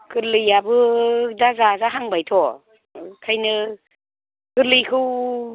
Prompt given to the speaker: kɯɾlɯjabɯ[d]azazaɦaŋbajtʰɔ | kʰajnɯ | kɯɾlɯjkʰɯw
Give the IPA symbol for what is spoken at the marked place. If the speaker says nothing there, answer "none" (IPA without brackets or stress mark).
d